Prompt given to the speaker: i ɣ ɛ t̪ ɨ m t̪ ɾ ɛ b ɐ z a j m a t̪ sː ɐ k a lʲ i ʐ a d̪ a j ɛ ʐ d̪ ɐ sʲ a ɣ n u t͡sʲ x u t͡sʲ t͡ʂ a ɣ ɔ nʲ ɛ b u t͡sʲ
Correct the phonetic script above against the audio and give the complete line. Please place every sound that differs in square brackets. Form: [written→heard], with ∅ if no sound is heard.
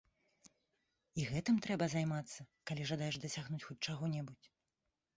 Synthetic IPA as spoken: i ɣ ɛ t̪ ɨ m t̪ ɾ ɛ b ɐ z a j m a t̪ sː ɐ k a lʲ i ʐ a d̪ a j ɛ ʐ d̪ ɐ sʲ a ɣ n u t͡sʲ x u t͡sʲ t͡ʂ a ɣ ɔ nʲ ɛ b u t͡sʲ

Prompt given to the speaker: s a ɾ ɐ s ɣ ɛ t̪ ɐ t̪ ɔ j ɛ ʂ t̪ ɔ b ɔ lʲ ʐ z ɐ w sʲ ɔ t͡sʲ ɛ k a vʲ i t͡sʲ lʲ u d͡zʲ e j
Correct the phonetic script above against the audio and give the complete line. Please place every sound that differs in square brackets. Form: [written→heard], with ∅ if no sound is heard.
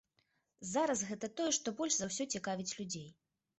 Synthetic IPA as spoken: [s→z] a ɾ ɐ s ɣ ɛ t̪ ɐ t̪ ɔ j ɛ ʂ t̪ ɔ b ɔ lʲ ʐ z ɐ w sʲ ɔ t͡sʲ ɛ k a vʲ i t͡sʲ lʲ u d͡zʲ e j

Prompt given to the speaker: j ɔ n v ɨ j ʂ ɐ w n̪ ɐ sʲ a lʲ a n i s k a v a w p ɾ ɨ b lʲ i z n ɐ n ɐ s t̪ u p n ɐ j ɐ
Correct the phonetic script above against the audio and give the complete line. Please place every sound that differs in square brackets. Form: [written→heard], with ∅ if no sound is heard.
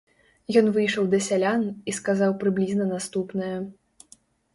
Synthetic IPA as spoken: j ɔ n v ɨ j ʂ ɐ w [n̪→d̪] ɐ sʲ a lʲ a n i s k a [v→z] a w p ɾ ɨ b lʲ i z n ɐ n [ɐ→a] s t̪ u p n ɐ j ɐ

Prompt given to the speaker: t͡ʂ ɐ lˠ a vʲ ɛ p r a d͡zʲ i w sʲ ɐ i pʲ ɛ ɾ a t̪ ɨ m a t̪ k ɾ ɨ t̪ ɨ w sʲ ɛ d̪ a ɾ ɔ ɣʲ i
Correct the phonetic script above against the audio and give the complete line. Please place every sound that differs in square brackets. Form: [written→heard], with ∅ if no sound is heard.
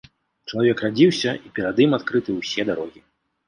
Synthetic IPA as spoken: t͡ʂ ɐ lˠ a vʲ ɛ [p→k] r a d͡zʲ i w sʲ ɐ i pʲ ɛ ɾ a [t̪→d̪] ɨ m a t̪ k ɾ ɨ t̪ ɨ w sʲ ɛ d̪ a ɾ ɔ ɣʲ i

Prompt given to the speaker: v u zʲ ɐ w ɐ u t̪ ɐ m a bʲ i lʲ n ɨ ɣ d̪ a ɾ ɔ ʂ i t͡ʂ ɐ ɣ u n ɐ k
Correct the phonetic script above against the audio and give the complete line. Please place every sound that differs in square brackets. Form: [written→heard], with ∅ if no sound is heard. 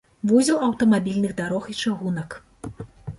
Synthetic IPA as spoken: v u zʲ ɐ w ɐ [u→w] t̪ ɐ m a bʲ i lʲ n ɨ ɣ d̪ a ɾ ɔ [ʂ→x] i t͡ʂ [ɐ→a] ɣ u n ɐ k

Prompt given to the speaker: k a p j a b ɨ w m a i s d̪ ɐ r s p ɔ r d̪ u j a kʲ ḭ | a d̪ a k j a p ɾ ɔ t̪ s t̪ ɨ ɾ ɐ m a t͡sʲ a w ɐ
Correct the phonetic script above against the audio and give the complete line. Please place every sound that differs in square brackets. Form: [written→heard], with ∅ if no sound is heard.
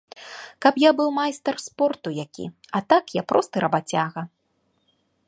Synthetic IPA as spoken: k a p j a b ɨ w m a [i→j] s [d̪→t̪] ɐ r s p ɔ r [d̪→t̪] u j a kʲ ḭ | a [d̪→t̪] a k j a p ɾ ɔ [t̪→∅] s t̪ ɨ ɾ ɐ [m→b] a t͡sʲ a [w→ɣ] ɐ

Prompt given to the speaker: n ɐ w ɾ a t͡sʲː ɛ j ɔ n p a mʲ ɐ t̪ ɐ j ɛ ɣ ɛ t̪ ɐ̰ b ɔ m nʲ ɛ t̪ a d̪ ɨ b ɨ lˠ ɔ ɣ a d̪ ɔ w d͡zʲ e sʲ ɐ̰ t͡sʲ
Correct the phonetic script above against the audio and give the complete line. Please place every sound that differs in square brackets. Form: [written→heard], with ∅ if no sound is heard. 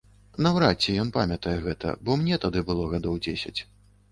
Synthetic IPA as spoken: n ɐ w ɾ a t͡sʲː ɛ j ɔ n p a mʲ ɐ t̪ ɐ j ɛ ɣ ɛ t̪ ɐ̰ b ɔ m nʲ ɛ t̪ a d̪ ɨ b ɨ lˠ ɔ ɣ a d̪ ɔ w d͡zʲ e sʲ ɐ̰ t͡sʲ

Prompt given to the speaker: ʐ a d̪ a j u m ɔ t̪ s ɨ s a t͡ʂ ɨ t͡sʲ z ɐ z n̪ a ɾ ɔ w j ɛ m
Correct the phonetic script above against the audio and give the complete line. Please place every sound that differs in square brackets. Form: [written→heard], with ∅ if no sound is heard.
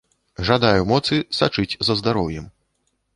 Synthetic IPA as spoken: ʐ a d̪ a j u m ɔ t̪ s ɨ s a t͡ʂ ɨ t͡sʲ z ɐ z [n̪→d̪] a ɾ ɔ w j ɛ m

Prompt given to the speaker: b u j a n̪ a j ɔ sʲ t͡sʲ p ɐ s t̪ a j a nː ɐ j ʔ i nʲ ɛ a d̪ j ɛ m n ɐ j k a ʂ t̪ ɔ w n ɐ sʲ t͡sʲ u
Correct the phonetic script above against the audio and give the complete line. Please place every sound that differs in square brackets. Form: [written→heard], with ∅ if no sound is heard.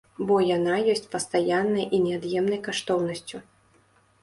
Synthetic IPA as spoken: b [u→ɔ] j a n̪ a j ɔ sʲ t͡sʲ p ɐ s t̪ a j a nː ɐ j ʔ i nʲ ɛ a d̪ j ɛ m n ɐ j k a ʂ t̪ ɔ w n ɐ sʲ t͡sʲ u

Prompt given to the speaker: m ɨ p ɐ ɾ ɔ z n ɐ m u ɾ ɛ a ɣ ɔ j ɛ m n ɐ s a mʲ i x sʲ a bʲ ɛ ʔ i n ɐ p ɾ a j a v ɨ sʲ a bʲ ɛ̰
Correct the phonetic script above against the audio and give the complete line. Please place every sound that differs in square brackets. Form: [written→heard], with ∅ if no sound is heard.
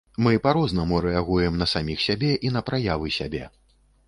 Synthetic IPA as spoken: m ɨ p [ɐ→a] ɾ ɔ z n ɐ m u ɾ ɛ a ɣ [ɔ→u] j ɛ m n ɐ s a mʲ i x sʲ a bʲ ɛ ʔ i n ɐ p ɾ a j a v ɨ sʲ a bʲ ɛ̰

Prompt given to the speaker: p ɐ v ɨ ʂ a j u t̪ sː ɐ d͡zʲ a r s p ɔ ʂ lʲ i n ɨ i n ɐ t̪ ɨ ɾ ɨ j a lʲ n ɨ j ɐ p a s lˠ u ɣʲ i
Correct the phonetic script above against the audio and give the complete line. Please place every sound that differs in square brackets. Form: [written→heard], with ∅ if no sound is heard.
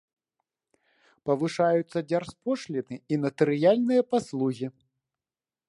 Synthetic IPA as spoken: p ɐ v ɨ ʂ a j u t̪ sː ɐ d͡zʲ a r s p ɔ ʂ lʲ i n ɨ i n ɐ t̪ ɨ ɾ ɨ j a lʲ n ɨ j ɐ p a s lˠ u ɣʲ i

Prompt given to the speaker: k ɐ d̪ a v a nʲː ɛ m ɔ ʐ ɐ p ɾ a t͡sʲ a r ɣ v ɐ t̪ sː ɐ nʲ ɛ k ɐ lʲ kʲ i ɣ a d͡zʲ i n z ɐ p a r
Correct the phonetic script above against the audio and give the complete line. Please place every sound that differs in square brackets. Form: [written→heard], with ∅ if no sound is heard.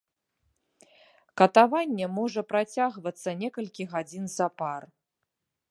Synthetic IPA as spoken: k ɐ [d̪→t̪] a v a nʲː ɛ m ɔ ʐ ɐ p ɾ a t͡sʲ a [r→∅] ɣ v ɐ t̪ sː ɐ nʲ ɛ k ɐ lʲ kʲ i ɣ a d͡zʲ i n z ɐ p a r

